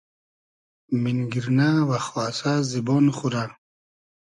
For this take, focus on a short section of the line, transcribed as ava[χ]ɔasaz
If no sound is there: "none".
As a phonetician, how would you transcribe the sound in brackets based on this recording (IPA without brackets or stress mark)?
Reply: χ